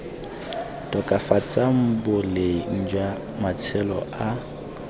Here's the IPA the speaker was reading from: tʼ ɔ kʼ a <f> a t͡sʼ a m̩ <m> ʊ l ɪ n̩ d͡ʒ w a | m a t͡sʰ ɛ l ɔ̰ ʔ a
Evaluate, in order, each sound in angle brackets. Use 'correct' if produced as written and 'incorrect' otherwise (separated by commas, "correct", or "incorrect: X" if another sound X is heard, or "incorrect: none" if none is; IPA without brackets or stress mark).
correct, incorrect: b